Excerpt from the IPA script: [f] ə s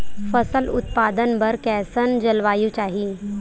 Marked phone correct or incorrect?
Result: correct